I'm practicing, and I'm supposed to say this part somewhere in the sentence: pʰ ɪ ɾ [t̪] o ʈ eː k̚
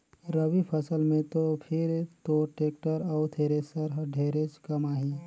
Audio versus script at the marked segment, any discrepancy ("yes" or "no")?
no